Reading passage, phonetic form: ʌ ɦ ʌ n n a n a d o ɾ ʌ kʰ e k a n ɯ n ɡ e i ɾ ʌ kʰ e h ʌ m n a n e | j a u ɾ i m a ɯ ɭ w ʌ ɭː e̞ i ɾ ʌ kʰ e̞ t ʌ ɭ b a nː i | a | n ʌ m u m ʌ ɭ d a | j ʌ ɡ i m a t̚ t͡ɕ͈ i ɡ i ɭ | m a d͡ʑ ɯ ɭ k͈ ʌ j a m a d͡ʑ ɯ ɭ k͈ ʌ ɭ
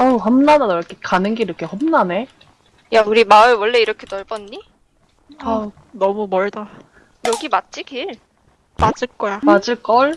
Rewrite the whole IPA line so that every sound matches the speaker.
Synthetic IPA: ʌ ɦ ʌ m n a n a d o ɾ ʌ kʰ e k a n ɯ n ɡ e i ɾ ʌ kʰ e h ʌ m n a n e | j a u ɾ i m a ɯ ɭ w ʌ ɭː e̞ i ɾ ʌ kʰ e̞ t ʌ ɭ b ʌ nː i | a | n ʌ m u m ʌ ɭ d a | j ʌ ɡ i m a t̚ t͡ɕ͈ i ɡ i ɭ | m a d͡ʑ ɯ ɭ k͈ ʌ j a m a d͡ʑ ɯ ɭ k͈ ʌ ɭ